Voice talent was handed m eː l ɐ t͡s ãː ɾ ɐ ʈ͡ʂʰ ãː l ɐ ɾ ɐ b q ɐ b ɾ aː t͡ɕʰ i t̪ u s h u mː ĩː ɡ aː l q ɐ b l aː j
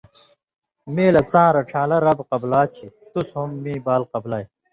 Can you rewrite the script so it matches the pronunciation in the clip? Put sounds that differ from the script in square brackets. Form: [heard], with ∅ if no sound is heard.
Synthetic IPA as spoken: m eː l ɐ t͡s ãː ɾ ɐ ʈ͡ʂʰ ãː l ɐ ɾ ɐ b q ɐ b [l] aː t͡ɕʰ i t̪ u s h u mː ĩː [b] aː l q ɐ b l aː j